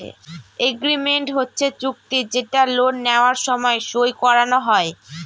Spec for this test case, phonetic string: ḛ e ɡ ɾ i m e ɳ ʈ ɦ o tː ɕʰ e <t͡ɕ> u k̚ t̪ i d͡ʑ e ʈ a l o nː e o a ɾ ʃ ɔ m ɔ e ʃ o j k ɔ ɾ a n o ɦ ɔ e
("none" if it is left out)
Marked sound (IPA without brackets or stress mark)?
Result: t͡ɕ